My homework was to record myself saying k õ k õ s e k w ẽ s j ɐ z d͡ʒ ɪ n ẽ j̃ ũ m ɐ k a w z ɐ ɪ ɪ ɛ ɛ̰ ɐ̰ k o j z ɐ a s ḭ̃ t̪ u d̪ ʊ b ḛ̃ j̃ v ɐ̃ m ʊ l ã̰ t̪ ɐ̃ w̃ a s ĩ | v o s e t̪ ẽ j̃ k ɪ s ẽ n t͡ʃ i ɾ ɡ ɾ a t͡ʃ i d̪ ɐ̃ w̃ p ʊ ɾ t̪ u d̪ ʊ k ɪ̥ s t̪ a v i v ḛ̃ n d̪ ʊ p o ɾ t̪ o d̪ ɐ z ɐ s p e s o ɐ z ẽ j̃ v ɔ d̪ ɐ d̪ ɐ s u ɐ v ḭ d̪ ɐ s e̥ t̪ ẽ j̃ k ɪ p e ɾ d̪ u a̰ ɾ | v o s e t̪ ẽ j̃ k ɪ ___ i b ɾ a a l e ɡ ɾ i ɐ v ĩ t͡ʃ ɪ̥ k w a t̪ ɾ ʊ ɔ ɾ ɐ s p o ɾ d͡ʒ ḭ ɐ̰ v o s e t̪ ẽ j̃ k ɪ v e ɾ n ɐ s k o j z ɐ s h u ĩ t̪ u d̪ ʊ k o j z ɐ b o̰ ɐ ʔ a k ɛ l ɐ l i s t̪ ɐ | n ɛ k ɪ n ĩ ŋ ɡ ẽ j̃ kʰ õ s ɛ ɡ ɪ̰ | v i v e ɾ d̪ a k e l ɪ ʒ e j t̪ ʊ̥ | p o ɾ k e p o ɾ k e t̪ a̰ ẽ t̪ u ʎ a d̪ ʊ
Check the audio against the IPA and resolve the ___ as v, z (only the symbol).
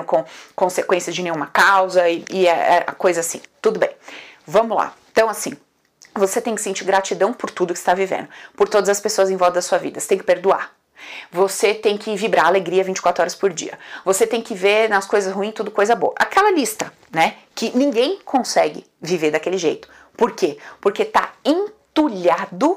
v